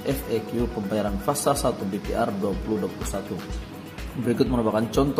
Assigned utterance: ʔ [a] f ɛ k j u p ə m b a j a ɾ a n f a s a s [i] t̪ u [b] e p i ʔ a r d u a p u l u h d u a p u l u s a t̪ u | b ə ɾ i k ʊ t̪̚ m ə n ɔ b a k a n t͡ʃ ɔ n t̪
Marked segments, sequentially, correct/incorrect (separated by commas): incorrect, incorrect, correct